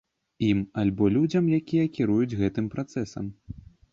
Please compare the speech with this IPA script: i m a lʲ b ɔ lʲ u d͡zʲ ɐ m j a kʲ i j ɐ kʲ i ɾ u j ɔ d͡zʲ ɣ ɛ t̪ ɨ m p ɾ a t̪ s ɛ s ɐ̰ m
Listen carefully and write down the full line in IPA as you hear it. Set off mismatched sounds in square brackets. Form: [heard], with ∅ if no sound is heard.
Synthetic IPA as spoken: i m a lʲ b ɔ lʲ u d͡zʲ ɐ m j a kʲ i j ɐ kʲ i ɾ u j [u] d͡zʲ ɣ ɛ t̪ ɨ m p ɾ a t̪ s ɛ s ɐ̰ m